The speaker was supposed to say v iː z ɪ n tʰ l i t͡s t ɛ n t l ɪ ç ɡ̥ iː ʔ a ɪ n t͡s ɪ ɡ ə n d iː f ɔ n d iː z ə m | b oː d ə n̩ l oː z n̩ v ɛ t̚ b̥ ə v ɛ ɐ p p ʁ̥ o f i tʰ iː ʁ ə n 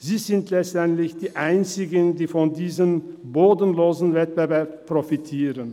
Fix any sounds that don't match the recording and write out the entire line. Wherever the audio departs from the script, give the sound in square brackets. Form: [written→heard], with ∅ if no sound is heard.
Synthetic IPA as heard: [v→z] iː z ɪ n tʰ l [i→ɛ] t͡s t ɛ n t l ɪ ç [ɡ̥→d̥] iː ʔ a ɪ n t͡s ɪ ɡ ə n d iː f ɔ n d iː z ə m | b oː d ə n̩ l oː z n̩ v ɛ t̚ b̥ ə v ɛ ɐ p p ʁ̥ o f i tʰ iː ʁ ə n